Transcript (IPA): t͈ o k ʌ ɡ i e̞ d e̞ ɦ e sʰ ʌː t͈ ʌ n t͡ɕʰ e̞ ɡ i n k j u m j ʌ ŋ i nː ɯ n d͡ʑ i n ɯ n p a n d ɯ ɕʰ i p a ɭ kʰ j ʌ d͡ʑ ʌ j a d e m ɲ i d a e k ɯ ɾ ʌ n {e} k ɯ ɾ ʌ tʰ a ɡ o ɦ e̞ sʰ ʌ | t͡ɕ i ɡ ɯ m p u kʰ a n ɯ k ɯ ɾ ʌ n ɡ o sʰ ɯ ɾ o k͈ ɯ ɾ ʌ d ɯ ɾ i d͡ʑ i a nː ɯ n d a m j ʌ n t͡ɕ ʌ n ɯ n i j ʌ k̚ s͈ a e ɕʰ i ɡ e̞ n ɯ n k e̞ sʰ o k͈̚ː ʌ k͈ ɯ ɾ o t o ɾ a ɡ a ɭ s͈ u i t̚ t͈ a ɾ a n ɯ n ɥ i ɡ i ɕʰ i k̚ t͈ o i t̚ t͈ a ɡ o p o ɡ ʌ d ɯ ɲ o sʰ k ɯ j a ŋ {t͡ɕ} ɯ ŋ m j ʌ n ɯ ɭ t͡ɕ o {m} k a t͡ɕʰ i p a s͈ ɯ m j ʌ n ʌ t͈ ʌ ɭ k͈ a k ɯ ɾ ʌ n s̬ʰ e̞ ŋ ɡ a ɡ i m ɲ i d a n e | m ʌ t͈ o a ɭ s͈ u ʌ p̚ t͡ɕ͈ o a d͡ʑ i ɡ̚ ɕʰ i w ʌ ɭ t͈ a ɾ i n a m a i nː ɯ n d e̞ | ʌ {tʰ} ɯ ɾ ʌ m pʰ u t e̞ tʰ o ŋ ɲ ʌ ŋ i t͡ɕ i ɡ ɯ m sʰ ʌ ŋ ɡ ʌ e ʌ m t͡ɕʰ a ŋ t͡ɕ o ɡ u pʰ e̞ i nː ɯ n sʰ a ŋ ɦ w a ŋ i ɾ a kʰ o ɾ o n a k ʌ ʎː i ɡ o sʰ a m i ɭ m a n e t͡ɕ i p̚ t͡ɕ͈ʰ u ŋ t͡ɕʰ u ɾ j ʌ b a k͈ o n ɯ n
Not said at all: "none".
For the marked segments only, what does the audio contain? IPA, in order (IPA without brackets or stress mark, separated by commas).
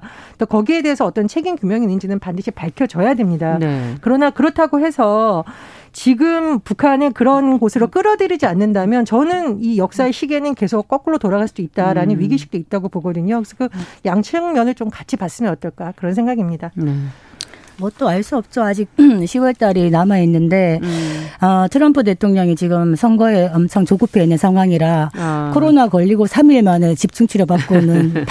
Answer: a, t͡ɕʰ, m, tʰ